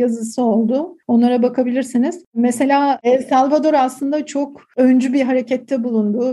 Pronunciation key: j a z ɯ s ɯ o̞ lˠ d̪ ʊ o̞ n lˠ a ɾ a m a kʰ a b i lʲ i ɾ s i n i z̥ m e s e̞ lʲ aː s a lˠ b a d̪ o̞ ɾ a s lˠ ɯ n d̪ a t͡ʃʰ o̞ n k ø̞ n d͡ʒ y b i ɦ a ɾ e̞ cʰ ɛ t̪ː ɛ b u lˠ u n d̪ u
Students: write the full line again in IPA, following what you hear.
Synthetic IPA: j a z ɯ s ɯ o̞ lˠ d̪ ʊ o̞ n lˠ a ɾ a b a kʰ a b i lʲ i ɾ s i n i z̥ m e s e̞ lʲ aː s a lˠ v a d̪ o̞ ɾ a s lˠ ɯ n d̪ a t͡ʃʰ o̞ k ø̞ n d͡ʒ y b i ɦ a ɾ e̞ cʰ ɛ t̪ː ɛ b u lˠ u n d̪ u